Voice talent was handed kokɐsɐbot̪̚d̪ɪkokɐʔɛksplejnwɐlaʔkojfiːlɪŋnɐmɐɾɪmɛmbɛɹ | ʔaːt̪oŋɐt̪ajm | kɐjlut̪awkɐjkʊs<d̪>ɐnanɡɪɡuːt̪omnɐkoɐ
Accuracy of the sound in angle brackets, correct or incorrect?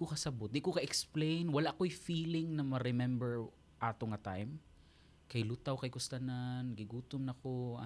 incorrect